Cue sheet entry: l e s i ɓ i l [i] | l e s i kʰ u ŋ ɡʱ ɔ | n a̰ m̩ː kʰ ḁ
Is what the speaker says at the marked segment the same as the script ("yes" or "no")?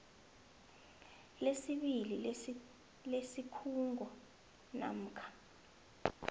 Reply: yes